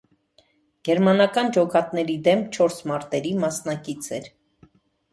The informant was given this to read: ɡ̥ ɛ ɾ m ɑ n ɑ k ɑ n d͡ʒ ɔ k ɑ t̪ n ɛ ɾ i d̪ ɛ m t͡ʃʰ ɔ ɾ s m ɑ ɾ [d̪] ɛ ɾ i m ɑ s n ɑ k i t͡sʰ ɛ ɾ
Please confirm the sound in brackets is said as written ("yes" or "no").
no